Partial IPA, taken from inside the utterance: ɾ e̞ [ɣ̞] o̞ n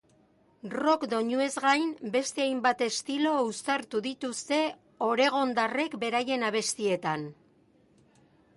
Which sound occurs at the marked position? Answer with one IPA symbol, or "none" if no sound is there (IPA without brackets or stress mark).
ɣ̞